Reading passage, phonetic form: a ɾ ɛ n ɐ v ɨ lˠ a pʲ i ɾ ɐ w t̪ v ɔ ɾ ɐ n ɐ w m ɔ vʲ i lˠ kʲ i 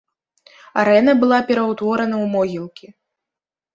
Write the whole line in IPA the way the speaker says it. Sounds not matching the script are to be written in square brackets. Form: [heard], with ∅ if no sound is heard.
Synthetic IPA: a ɾ ɛ n ɐ [b] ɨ lˠ a pʲ [ɛ] ɾ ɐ w t̪ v ɔ ɾ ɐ n ɐ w m ɔ [ɣʲ] i lˠ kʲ i